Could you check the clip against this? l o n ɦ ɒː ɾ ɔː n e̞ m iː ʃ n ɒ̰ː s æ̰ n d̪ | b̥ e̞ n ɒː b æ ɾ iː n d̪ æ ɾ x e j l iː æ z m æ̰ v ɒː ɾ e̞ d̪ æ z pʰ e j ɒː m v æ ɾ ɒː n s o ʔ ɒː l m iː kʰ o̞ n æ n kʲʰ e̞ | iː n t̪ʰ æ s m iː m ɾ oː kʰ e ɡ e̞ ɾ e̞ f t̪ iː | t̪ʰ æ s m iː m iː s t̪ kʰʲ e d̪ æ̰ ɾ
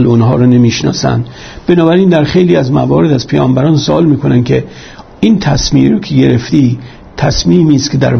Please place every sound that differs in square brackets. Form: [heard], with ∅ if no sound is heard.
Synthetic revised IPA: l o n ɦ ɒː ɾ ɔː n e̞ m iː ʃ n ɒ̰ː s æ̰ n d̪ | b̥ e̞ n ɒː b æ ɾ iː n d̪ æ ɾ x e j l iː æ z m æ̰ v ɒː ɾ e̞ d̪ æ z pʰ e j ɒː m [b] æ ɾ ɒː n s o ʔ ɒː l m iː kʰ o̞ n æ n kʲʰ e̞ | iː n t̪ʰ æ s m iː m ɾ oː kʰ e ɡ e̞ ɾ e̞ f t̪ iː | t̪ʰ æ s m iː m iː s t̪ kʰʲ e d̪ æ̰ ɾ